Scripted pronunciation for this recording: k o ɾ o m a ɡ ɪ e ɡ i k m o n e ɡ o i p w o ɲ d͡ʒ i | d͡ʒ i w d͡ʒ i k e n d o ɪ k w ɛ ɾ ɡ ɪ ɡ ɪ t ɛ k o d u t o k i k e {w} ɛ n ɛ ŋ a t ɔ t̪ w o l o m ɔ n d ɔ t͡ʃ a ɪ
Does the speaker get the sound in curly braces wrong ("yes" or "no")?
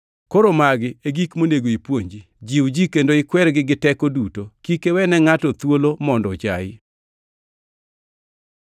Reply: no